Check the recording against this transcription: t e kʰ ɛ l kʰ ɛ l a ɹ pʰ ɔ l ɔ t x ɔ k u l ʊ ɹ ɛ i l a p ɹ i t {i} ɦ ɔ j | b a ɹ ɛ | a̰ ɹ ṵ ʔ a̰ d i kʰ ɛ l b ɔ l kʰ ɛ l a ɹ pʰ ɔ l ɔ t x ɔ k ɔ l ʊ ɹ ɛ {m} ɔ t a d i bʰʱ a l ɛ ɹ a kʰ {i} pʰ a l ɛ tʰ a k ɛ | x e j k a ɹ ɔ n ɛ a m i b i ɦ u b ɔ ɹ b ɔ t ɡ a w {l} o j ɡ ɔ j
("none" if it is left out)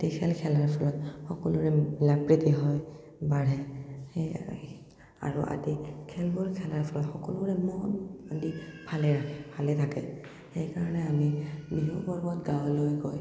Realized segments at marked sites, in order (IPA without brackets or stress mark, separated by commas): i, m, ɛ, l